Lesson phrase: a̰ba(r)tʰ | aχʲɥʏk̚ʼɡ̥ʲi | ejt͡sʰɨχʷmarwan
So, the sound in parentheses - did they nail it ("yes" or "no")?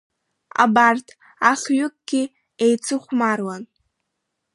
yes